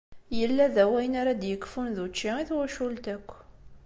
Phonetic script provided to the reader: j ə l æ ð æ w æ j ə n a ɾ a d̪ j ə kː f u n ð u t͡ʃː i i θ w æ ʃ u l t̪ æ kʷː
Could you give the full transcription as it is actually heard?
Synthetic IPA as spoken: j ə lː æ ð æ w æ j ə n a ɾ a d̪ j ə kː f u n ð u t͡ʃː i i θ w æ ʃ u l t̪ æ kʷː